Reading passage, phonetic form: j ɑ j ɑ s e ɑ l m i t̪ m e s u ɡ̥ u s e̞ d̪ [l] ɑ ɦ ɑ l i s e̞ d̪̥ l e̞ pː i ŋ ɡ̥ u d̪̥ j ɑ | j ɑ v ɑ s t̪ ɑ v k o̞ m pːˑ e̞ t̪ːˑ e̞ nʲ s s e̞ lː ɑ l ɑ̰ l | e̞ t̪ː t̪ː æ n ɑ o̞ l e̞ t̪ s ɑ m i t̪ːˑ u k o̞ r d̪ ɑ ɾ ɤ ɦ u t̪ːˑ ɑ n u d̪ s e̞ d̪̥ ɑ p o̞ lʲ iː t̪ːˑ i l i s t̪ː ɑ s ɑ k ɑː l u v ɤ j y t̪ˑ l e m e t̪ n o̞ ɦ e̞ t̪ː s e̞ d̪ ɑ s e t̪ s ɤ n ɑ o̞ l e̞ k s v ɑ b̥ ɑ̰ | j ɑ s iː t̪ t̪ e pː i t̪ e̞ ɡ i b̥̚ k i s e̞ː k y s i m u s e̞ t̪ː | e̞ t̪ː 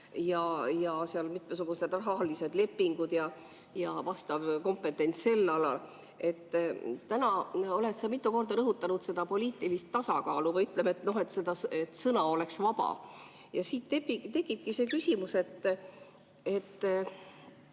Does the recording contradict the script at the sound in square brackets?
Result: yes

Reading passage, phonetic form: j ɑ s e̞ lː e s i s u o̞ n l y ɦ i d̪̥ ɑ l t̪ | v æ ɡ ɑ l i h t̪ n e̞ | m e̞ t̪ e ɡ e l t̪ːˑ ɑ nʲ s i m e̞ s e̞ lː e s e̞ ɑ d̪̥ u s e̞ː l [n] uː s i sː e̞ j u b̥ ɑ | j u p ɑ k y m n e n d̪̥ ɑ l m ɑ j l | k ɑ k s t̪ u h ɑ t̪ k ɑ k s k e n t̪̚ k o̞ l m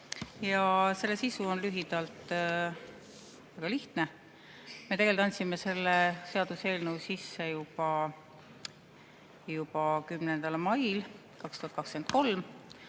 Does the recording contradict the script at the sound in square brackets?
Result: no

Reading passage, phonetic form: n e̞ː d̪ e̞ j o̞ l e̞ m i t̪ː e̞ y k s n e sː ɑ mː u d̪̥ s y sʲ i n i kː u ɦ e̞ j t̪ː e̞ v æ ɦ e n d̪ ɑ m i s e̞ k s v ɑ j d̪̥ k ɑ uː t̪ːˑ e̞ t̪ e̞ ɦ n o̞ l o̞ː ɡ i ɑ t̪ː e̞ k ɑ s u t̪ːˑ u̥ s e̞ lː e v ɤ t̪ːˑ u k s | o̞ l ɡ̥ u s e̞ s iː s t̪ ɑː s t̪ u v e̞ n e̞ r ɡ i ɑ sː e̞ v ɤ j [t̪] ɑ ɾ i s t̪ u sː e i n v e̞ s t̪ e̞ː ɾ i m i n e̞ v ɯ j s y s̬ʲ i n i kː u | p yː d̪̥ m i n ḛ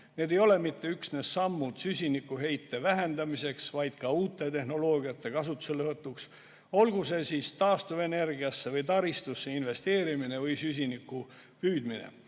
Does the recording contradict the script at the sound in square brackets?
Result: no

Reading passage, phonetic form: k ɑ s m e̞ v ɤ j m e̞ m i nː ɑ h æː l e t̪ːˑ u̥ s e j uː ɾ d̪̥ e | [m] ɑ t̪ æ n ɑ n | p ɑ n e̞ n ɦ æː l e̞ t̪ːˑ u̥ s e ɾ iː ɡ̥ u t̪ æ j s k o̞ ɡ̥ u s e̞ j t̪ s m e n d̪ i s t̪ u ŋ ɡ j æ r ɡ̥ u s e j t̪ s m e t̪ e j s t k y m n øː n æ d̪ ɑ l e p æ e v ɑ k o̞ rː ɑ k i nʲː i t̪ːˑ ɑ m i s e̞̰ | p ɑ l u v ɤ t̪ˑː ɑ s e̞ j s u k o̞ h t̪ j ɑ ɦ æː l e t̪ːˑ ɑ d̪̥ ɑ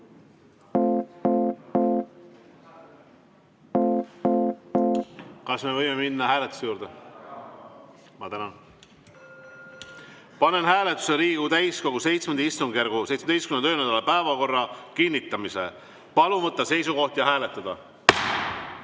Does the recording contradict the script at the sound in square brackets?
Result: no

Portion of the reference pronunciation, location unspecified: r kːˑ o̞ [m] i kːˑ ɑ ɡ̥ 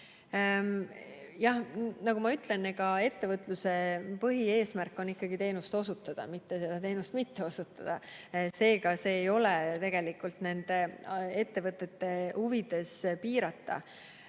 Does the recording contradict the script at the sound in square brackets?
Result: yes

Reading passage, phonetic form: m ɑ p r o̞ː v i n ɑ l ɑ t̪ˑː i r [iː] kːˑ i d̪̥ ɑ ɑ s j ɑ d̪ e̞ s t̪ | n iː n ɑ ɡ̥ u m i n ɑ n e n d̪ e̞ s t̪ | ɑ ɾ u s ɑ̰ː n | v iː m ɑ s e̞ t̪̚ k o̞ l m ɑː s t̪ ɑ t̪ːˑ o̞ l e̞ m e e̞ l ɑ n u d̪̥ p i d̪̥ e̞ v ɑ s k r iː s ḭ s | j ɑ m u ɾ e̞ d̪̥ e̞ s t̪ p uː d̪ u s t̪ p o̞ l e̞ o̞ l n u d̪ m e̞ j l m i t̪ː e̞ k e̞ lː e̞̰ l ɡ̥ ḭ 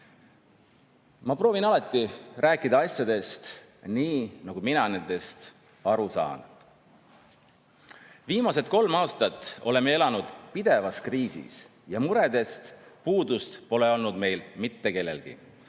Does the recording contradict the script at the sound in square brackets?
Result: yes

